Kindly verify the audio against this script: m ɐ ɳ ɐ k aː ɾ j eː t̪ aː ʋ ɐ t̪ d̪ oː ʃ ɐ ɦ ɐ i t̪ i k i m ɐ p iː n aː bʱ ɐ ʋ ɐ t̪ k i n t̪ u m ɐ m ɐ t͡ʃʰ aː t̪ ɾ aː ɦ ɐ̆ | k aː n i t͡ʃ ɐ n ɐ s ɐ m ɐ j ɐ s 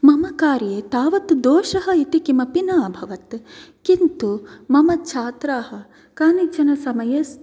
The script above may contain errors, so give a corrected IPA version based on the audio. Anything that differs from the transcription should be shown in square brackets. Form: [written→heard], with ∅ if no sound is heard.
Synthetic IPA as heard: m ɐ [ɳ→m] ɐ k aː ɾ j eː t̪ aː ʋ ɐ t̪ d̪ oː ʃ ɐ ɦ ɐ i t̪ i k i m ɐ p [iː→i] n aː bʱ ɐ ʋ ɐ t̪ k i n t̪ u m ɐ m ɐ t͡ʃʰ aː t̪ ɾ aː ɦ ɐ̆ | k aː n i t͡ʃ ɐ n ɐ s ɐ m ɐ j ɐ s